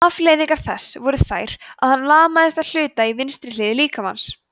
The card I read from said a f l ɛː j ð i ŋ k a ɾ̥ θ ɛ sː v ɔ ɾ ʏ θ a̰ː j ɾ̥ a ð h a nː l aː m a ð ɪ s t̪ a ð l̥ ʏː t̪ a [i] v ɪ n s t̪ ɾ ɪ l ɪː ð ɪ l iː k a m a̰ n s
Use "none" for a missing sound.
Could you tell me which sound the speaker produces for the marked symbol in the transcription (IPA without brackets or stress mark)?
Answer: i